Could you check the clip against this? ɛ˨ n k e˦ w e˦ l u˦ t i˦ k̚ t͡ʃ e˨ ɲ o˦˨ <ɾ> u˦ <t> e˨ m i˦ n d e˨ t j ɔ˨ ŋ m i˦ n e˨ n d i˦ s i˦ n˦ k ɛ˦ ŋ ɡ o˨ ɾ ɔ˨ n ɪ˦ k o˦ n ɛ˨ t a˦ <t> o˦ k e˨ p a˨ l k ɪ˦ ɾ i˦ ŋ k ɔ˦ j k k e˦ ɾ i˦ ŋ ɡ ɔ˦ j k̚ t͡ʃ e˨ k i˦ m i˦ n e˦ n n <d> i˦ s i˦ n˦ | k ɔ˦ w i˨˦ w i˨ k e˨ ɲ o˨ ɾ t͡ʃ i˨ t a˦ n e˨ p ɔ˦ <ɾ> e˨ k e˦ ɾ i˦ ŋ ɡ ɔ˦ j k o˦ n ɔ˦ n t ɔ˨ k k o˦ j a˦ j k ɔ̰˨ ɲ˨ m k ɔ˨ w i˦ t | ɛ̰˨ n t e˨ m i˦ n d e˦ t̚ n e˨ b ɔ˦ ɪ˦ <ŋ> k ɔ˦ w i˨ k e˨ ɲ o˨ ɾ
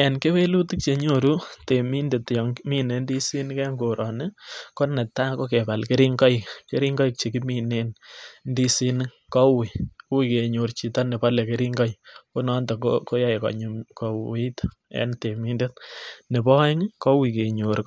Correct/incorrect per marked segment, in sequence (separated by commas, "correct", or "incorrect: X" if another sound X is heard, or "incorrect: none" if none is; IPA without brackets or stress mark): correct, correct, incorrect: k, correct, incorrect: l, correct